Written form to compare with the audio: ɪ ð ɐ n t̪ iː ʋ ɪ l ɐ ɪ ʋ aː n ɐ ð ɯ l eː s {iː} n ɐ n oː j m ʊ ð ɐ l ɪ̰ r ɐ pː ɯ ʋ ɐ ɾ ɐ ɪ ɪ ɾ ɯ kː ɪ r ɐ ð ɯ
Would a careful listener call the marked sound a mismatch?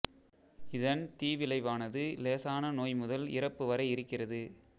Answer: yes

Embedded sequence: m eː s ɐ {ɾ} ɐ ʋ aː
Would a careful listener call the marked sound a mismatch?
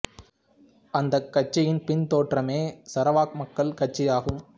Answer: no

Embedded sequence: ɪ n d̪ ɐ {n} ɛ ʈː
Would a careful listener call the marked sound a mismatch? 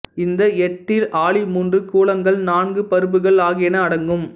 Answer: yes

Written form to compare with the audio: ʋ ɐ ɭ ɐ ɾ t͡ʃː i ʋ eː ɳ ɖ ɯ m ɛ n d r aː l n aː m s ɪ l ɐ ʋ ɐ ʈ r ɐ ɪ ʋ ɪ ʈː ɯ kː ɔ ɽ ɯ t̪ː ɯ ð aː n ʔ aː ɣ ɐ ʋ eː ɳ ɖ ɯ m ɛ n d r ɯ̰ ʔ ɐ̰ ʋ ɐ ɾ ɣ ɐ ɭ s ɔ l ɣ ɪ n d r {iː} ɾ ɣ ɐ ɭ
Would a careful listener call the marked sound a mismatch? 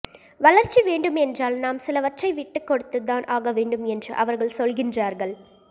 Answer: yes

